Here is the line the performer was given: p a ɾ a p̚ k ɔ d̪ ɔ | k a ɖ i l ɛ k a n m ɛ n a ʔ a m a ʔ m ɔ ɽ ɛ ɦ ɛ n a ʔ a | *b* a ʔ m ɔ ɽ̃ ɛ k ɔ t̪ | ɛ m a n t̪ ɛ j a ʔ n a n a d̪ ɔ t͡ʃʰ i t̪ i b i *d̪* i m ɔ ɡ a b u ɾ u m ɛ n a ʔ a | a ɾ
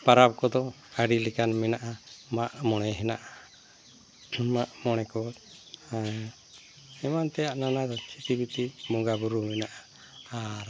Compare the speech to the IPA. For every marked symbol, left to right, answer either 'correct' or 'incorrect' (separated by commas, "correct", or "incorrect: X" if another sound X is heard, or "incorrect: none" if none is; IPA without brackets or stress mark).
incorrect: m, incorrect: t̪